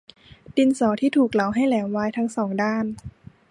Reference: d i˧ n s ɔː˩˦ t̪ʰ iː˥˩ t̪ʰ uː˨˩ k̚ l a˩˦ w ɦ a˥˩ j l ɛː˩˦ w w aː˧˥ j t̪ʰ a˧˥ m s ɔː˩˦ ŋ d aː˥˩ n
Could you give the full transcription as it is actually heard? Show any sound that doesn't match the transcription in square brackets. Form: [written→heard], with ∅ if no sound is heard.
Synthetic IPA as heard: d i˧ n s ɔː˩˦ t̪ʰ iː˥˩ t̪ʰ uː˨˩ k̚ l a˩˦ w ɦ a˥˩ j l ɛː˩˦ w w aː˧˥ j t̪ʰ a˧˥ [m→ŋ] s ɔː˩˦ ŋ d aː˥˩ n